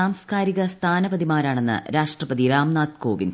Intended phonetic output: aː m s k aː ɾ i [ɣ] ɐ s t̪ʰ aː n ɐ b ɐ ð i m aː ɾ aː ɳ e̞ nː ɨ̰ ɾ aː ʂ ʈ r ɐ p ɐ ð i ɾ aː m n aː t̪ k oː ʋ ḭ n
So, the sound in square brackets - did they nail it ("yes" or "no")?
yes